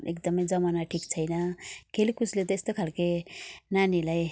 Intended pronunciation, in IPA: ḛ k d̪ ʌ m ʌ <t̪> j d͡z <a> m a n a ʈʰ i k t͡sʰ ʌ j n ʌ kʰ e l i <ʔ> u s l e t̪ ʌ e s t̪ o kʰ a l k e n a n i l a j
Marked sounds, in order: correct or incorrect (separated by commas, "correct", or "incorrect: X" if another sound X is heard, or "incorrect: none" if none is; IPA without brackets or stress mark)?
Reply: incorrect: none, incorrect: ʌ, incorrect: k